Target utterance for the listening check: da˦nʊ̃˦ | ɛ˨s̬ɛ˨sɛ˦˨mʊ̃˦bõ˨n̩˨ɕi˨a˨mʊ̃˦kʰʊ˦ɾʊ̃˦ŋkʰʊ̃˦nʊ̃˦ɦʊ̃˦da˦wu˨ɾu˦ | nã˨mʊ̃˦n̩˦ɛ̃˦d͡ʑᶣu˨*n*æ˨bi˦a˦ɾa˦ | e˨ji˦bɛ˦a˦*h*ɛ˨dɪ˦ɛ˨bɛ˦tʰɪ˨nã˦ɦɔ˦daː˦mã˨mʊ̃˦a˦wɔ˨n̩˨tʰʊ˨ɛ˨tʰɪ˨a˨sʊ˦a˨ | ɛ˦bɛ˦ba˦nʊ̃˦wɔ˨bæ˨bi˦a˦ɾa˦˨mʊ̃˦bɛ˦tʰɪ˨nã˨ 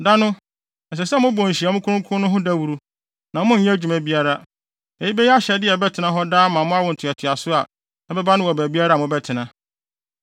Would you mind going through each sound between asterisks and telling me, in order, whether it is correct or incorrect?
incorrect, incorrect

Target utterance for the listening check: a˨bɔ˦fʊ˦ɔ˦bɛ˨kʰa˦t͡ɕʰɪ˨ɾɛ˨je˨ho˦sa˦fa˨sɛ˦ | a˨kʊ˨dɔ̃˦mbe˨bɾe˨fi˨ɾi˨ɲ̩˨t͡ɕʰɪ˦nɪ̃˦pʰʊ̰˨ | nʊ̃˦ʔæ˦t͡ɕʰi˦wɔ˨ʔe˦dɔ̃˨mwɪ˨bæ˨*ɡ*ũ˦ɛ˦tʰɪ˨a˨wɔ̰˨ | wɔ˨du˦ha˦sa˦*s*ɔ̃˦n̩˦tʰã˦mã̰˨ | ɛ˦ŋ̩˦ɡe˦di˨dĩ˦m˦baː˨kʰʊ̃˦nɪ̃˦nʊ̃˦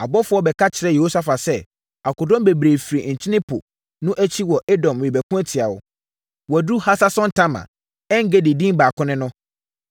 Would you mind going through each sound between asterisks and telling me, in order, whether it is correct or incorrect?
incorrect, correct

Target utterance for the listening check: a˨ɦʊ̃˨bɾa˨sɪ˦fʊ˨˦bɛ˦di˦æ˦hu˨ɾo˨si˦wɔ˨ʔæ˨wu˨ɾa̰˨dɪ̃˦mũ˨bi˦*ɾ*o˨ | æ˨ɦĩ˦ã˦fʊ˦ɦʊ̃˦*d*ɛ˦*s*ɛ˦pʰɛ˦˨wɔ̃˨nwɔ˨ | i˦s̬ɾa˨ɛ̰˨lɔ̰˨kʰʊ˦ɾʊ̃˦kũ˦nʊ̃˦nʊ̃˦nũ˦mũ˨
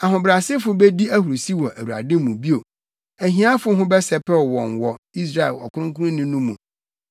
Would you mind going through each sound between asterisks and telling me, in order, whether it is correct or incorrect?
incorrect, incorrect, correct

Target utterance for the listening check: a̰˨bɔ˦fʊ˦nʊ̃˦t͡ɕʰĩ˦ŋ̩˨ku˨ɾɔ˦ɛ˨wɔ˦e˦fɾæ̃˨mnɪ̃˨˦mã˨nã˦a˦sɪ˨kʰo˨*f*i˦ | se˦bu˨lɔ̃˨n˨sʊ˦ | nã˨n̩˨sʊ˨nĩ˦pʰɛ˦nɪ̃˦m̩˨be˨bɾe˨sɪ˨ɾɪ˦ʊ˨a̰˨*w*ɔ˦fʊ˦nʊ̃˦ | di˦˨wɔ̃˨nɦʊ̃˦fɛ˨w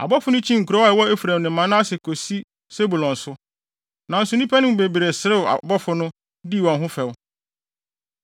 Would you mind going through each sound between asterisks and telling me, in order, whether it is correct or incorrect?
incorrect, incorrect

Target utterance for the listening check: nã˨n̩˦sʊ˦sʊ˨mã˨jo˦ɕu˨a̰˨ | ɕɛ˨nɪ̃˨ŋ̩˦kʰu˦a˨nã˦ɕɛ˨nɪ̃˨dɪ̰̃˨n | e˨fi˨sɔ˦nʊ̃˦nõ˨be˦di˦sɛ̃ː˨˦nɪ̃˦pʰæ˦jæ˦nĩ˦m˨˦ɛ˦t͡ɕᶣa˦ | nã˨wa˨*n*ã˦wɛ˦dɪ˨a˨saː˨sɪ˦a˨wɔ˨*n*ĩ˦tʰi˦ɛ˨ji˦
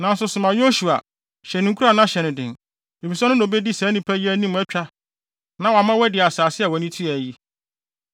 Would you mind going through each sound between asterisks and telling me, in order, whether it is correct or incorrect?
incorrect, correct

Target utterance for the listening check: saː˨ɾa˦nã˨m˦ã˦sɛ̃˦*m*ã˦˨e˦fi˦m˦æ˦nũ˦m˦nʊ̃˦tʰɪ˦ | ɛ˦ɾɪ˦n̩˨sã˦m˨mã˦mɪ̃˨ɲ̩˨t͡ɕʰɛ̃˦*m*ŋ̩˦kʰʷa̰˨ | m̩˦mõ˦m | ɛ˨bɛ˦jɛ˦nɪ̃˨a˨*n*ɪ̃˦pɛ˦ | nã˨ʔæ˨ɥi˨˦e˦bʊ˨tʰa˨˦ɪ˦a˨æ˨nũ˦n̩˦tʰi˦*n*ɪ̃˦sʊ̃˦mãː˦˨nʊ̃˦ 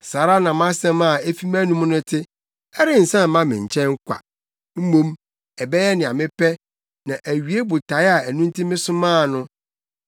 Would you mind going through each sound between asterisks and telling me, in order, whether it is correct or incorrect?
correct, incorrect, incorrect, incorrect

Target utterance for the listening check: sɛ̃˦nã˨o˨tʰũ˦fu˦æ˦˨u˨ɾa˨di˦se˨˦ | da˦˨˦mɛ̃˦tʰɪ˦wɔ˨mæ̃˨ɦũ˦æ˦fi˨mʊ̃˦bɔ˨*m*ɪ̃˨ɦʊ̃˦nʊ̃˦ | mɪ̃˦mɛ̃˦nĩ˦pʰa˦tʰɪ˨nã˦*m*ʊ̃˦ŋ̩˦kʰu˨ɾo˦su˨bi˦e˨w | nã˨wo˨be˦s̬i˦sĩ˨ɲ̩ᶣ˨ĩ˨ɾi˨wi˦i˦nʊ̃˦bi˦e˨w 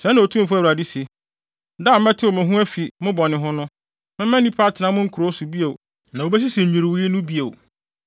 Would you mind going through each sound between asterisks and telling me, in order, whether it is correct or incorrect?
incorrect, correct

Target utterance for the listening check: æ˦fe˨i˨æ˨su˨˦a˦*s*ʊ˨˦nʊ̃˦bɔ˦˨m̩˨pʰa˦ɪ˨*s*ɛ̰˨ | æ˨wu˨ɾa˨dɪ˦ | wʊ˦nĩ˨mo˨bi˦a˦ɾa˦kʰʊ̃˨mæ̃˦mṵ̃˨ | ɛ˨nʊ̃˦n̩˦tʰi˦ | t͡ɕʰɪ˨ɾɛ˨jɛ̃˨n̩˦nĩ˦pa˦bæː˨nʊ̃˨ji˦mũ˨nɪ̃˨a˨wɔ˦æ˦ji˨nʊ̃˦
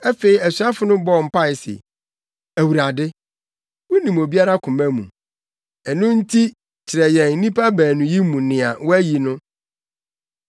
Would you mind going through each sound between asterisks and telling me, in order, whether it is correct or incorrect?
incorrect, correct

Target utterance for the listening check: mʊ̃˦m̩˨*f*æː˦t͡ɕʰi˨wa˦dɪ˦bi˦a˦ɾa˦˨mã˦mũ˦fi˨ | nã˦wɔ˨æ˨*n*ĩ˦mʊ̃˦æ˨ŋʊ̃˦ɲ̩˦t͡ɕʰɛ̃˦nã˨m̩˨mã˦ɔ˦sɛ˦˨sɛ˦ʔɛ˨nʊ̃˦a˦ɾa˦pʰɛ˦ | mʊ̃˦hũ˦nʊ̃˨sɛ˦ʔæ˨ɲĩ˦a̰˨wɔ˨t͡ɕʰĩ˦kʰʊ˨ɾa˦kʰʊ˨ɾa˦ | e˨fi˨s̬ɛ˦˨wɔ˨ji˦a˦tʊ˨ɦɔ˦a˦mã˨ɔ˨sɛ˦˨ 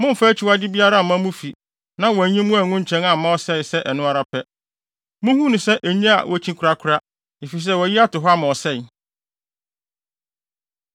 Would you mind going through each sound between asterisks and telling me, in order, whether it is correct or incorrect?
correct, incorrect

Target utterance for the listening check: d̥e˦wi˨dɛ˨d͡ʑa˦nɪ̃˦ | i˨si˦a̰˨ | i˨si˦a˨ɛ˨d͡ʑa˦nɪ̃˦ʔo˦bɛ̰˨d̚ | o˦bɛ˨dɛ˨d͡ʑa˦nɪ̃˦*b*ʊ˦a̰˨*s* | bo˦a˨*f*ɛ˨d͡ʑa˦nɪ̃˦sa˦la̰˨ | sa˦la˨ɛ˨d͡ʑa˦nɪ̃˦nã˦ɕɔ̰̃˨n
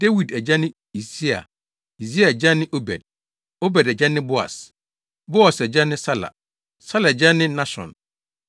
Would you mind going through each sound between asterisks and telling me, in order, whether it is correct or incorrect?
correct, correct, incorrect

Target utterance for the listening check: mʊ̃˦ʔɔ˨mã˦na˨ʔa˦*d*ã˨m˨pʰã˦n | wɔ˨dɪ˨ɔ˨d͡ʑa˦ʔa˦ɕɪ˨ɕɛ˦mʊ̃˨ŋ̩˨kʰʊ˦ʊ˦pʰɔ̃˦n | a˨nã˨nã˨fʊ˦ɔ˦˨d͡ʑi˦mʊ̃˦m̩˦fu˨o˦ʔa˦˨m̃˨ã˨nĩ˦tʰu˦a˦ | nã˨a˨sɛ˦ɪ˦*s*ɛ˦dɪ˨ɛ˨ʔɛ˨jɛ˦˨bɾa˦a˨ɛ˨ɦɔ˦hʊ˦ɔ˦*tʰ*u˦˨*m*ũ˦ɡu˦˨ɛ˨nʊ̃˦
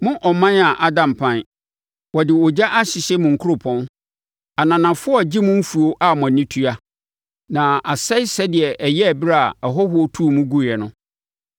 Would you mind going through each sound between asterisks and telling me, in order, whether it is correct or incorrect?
correct, correct, correct, correct

